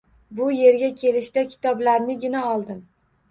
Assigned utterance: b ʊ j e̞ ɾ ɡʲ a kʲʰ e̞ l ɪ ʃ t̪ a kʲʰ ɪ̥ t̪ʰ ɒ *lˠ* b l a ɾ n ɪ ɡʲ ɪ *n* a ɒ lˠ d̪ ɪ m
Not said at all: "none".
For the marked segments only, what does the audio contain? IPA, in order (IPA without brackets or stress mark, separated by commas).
none, n